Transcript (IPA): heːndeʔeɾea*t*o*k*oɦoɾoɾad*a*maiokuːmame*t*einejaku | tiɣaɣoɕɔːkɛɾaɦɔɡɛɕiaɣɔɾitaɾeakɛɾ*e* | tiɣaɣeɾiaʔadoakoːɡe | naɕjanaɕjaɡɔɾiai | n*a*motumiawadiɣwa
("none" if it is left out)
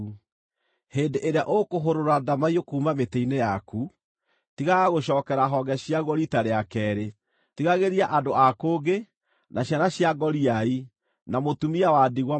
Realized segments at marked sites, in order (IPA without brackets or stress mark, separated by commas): ʔ, k, a, t, e, a